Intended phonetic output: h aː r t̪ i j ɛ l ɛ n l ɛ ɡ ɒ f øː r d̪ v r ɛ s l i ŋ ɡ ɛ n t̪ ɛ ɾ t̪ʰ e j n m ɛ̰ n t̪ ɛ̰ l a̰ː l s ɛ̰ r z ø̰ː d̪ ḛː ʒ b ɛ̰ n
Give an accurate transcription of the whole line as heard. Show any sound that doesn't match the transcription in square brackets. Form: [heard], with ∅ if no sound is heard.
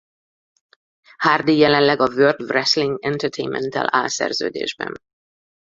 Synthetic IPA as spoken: h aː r [d̪] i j ɛ l ɛ n l ɛ ɡ ɒ [v] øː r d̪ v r ɛ s l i ŋ ɡ ɛ n t̪ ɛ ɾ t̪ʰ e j n m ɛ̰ n t̪ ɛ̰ l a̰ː l s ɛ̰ r z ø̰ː d̪ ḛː ʒ b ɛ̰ n